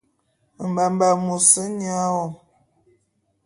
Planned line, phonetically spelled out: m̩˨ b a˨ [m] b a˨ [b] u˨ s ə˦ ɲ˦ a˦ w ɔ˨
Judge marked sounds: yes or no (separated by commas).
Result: yes, no